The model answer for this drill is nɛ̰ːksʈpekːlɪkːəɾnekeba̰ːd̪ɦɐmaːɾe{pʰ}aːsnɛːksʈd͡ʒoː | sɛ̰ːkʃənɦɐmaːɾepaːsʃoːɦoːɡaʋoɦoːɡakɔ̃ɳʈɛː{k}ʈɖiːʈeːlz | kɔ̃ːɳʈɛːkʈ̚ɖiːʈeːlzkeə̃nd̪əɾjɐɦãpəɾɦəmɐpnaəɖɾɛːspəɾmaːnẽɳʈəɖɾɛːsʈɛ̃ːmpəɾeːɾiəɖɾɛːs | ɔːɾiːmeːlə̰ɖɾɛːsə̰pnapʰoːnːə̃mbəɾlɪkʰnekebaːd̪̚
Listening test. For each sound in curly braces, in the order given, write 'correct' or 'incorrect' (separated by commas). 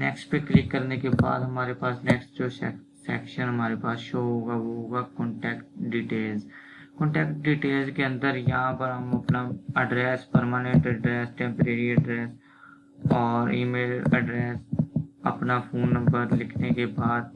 incorrect, correct